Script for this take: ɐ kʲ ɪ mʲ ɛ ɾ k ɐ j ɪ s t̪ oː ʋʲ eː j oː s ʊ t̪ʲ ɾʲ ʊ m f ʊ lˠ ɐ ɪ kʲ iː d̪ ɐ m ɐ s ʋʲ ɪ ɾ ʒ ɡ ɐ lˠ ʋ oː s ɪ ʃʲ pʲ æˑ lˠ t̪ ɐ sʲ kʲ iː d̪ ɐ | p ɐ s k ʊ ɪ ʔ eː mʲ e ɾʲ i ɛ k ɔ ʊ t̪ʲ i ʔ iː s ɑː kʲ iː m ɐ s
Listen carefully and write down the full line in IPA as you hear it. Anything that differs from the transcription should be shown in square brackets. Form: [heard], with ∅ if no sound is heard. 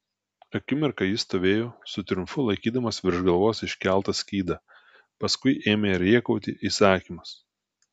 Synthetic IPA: ɐ kʲ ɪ mʲ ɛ ɾ k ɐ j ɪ s t̪ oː ʋʲ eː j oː s ʊ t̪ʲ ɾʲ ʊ m f ʊ lˠ ɐ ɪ kʲ iː d̪ ɐ m ɐ s ʋʲ ɪ ɾ ʒ ɡ ɐ lˠ ʋ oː s ɪ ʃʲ [kʲ] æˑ lˠ t̪ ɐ sʲ kʲ iː d̪ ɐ | p ɐ s k ʊ ɪ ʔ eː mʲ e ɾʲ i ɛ k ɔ ʊ t̪ʲ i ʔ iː s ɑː kʲ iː m ɐ s